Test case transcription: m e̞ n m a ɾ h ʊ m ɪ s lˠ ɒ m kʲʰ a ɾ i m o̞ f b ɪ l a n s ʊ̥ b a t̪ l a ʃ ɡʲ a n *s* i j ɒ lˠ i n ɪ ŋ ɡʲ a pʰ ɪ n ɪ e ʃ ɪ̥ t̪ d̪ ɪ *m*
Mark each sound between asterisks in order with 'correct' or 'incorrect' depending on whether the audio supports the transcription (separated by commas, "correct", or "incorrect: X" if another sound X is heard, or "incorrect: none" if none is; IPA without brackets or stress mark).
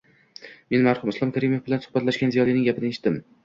incorrect: z, correct